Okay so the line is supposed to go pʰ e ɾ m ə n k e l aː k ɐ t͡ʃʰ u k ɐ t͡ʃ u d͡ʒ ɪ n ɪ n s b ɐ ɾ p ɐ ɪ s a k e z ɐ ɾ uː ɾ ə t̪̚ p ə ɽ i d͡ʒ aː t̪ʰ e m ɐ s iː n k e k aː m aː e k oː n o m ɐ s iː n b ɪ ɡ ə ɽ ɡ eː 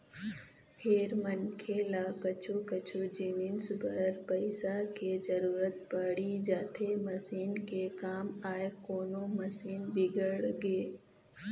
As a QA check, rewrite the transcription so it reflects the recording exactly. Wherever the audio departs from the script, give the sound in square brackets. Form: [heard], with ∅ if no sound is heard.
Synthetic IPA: pʰ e ɾ m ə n [kʰ] e l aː k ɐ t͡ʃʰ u k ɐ t͡ʃ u d͡ʒ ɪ n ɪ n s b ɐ ɾ p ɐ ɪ s a k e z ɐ ɾ uː ɾ ə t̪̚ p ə ɽ i d͡ʒ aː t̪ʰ e m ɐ s iː n k e k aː m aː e k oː n o m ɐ s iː n b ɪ ɡ ə ɽ ɡ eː

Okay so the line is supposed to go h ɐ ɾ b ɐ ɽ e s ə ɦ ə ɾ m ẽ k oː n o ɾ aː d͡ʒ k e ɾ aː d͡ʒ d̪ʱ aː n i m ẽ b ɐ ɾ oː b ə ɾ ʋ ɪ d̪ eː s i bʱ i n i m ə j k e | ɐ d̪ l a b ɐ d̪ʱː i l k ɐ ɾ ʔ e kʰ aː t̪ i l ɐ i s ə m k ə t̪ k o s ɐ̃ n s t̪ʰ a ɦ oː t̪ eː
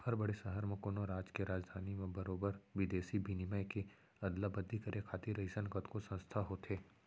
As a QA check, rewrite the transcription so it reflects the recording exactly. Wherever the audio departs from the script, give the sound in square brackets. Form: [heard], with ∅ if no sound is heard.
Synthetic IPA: h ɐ ɾ b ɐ ɽ e s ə ɦ ə ɾ m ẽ k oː n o ɾ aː d͡ʒ k e ɾ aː d͡ʒ d̪ʱ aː n i m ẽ b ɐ ɾ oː b ə ɾ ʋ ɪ d̪ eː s i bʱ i n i m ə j k e | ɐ d̪ l a b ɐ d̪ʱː i [∅] k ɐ ɾ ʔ e kʰ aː t̪ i [ɾ] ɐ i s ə [n] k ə t̪ k o s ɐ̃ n s t̪ʰ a ɦ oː t̪ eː

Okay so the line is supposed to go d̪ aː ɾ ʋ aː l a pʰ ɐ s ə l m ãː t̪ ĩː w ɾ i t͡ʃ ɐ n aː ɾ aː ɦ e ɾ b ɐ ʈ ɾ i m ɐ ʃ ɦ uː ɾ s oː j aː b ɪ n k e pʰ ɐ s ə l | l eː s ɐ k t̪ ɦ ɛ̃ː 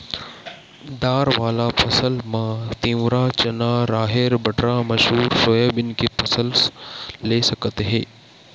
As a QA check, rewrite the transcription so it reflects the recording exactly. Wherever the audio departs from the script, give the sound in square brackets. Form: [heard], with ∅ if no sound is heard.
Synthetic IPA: d̪ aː ɾ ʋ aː l a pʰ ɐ s ə l m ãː t̪ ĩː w ɾ [a] t͡ʃ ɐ n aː ɾ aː ɦ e ɾ b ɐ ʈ ɾ [a] m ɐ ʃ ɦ uː ɾ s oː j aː b ɪ n k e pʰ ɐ s ə l | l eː s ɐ k t̪ ɦ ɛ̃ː

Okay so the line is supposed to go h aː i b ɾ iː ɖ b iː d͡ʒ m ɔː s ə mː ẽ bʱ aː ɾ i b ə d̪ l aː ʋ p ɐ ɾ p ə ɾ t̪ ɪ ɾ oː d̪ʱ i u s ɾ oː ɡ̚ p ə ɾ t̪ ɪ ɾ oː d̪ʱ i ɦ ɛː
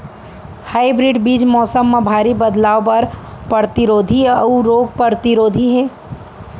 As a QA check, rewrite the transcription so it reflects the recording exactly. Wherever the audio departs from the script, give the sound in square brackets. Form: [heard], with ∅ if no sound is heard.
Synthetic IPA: h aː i b ɾ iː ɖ b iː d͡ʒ m ɔː s ə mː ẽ bʱ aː ɾ i b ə d̪ l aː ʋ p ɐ ɾ p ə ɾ t̪ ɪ ɾ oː d̪ʱ i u [∅] ɾ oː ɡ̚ p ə ɾ t̪ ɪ ɾ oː d̪ʱ i ɦ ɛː

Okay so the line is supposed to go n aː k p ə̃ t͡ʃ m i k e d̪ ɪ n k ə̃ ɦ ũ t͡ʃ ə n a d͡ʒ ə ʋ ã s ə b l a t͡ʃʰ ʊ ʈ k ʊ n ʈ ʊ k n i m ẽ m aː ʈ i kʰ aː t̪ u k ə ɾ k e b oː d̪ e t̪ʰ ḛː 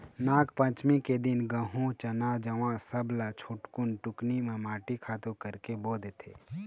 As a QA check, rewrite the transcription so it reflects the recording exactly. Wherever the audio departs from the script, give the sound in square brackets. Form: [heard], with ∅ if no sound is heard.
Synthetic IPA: n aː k p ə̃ t͡ʃ m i k e d̪ ɪ n [ɡ] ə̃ ɦ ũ t͡ʃ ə n a d͡ʒ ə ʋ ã s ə b l a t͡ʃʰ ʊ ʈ k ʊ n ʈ ʊ k n i m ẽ m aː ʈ i kʰ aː t̪ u k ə ɾ k e b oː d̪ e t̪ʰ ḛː

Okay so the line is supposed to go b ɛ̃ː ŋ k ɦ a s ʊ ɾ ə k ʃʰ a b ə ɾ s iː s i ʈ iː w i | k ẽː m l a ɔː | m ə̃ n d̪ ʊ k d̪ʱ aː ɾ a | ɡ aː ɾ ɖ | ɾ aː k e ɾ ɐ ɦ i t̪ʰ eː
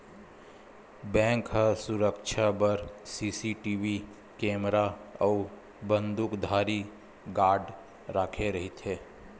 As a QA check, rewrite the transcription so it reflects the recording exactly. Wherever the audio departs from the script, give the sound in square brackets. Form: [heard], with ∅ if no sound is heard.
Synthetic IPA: b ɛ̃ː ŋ k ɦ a s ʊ ɾ ə k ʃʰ a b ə ɾ s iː s i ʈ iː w i | k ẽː m [ɾ] a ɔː | [b] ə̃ n d̪ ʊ k d̪ʱ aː ɾ [i] | ɡ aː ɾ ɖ | ɾ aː [kʰ] e ɾ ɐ ɦ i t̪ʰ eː

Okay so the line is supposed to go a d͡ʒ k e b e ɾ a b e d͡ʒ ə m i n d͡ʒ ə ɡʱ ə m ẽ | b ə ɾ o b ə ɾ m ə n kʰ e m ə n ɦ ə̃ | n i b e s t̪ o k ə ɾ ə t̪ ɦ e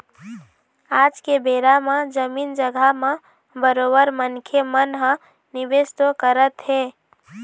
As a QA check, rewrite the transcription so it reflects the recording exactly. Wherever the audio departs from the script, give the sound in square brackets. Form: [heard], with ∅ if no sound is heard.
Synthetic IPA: a d͡ʒ k e b e ɾ a [m] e d͡ʒ ə m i n d͡ʒ ə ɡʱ [a] m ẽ | b ə ɾ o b ə ɾ m ə n kʰ e m ə n ɦ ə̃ | n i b e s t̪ o k ə ɾ ə t̪ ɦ e

